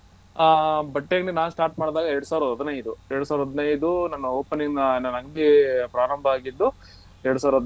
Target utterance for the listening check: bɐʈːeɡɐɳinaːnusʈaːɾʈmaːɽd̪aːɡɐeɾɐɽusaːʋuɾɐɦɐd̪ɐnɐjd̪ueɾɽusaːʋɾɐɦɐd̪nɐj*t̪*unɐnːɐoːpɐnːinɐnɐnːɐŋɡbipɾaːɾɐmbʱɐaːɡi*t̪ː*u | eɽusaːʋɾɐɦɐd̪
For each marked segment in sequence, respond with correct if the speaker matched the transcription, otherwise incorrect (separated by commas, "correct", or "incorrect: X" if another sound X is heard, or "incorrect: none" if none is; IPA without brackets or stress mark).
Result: incorrect: d̪, incorrect: d̪ː